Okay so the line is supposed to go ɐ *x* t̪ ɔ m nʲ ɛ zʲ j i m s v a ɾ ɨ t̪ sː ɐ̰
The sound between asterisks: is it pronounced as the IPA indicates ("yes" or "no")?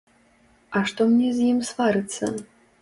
no